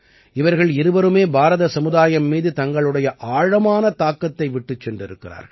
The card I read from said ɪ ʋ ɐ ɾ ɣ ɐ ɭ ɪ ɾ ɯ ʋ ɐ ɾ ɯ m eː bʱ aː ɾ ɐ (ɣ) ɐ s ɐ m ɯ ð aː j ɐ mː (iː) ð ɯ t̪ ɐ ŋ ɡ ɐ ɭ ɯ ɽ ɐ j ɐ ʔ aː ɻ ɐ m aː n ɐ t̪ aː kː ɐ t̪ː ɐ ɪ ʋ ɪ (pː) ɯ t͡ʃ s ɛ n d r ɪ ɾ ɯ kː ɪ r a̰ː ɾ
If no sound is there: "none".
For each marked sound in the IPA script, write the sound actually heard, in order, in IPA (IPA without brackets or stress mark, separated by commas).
ð, iː, ʈː